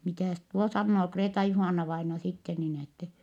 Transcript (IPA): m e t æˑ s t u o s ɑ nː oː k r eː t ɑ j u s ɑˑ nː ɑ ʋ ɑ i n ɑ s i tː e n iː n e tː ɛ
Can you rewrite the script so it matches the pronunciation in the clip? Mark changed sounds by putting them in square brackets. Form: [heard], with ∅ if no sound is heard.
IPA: m [i] t æˑ s t u o s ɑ nː oː k r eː t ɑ j u [h] ɑˑ nː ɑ ʋ ɑ i n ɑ s i tː e n iː n e tː ɛ